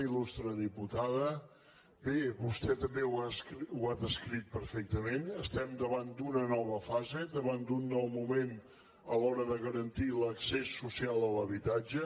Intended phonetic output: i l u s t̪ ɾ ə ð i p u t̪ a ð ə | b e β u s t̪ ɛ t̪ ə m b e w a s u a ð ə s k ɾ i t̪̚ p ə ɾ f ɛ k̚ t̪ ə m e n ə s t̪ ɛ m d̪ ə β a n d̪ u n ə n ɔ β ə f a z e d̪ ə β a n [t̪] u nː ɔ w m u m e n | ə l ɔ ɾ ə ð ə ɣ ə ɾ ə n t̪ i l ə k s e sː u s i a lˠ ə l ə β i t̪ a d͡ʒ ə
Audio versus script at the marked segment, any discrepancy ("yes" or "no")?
yes